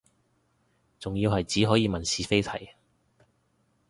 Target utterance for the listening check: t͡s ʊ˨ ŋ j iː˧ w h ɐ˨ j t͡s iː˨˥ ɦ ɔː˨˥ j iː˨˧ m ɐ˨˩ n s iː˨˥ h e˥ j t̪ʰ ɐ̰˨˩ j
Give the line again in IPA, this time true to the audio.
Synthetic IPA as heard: t͡s ʊ˨ ŋ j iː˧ w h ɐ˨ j t͡s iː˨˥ ɦ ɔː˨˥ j iː˨˧ m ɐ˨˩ n s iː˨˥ f e˥ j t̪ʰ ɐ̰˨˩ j